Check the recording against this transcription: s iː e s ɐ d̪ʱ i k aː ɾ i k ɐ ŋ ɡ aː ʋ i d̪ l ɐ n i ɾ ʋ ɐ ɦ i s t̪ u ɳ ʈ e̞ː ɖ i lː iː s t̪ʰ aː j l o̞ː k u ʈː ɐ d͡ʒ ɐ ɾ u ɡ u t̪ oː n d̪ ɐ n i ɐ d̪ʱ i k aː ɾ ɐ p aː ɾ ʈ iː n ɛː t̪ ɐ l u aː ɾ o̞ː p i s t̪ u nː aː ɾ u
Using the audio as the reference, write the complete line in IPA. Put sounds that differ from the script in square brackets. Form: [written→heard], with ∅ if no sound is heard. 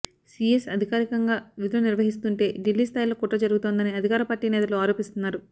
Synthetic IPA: s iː e s ɐ d̪ʱ i k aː ɾ i k ɐ ŋ ɡ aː ʋ i d̪ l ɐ n i ɾ ʋ ɐ ɦ i s t̪ u ɳ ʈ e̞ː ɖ i lː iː s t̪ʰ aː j l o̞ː k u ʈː ɐ d͡ʒ ɐ ɾ u ɡ u t̪ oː n d̪ ɐ n i ɐ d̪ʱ i k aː ɾ ɐ p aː ɾ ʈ iː n ɛː t̪ ɐ l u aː ɾ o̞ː p i s t̪ u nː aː ɾ u